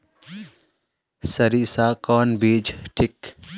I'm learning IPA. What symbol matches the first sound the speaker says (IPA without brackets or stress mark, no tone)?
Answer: s